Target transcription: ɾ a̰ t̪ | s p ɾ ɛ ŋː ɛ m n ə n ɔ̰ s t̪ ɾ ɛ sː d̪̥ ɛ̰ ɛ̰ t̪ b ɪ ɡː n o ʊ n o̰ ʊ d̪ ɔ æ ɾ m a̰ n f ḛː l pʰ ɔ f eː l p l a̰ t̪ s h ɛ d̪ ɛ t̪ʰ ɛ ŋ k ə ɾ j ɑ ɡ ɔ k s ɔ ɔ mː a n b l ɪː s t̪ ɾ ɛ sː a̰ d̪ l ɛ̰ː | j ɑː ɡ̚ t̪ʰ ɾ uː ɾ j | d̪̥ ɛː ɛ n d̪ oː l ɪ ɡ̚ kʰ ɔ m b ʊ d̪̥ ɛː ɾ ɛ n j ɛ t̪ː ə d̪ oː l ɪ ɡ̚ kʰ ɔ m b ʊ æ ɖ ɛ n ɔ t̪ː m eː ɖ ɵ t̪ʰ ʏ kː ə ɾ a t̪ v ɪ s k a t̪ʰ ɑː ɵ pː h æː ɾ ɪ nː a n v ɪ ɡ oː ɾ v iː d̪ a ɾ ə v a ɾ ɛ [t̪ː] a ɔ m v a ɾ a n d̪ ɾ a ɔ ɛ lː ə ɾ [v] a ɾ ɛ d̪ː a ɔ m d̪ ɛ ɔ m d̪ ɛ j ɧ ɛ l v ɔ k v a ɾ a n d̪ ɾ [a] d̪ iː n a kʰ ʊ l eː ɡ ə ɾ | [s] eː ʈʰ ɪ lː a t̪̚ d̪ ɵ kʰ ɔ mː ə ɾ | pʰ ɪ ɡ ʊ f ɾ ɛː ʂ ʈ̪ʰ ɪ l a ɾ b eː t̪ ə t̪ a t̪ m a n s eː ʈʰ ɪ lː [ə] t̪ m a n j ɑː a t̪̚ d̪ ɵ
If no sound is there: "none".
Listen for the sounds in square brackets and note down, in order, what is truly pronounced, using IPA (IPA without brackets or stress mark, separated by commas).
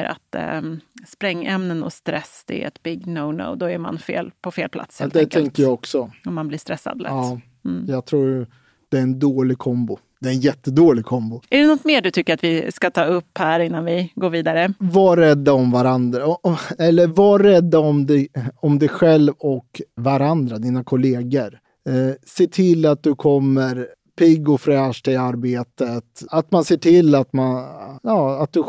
d̪ː, v, a, s, a